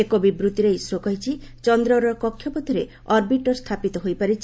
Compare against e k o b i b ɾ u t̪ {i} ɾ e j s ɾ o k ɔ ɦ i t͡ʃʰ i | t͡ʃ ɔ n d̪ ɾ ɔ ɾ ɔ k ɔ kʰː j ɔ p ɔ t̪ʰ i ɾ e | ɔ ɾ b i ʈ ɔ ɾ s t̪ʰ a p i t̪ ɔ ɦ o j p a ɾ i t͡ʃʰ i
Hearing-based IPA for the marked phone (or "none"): i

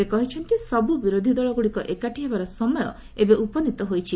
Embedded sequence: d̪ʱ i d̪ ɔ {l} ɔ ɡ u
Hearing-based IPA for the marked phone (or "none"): ɭ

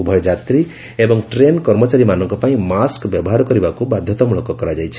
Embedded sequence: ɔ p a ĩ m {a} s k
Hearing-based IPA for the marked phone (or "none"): a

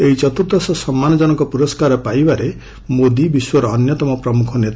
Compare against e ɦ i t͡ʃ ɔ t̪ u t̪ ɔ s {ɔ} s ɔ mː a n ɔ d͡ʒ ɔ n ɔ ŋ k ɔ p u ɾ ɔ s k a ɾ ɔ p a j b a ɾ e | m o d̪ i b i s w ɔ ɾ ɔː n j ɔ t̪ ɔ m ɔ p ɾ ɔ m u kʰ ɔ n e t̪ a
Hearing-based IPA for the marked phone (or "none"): ɔ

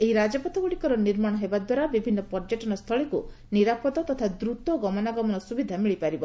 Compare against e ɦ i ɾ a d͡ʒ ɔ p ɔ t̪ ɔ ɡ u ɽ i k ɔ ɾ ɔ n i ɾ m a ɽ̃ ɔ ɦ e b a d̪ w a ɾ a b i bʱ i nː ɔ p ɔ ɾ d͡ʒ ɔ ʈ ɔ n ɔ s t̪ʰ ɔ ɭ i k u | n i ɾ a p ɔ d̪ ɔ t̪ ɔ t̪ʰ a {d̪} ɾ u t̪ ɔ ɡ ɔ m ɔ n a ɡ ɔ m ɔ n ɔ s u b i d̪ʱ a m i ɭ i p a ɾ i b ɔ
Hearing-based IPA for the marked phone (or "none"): d̪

